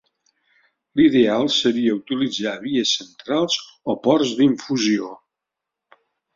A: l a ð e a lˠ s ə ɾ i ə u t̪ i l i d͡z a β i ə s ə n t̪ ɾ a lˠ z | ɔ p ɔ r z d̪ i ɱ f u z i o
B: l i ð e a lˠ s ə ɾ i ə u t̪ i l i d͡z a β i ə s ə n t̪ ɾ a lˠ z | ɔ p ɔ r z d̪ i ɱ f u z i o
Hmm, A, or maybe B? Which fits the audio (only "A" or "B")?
B